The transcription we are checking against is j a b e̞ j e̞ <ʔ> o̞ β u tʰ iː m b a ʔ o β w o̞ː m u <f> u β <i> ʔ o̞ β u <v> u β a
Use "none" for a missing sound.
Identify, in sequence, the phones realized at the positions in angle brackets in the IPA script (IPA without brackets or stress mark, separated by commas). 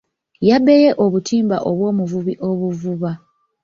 ʔ, v, i, v